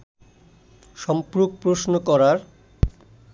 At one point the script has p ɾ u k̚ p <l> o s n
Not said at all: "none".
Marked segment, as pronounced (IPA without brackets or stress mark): ɾ